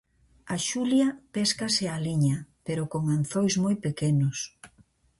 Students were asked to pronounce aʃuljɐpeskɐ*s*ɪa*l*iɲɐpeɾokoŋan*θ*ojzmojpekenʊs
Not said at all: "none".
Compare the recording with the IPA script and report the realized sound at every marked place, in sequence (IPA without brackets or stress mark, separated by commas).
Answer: s, l, θ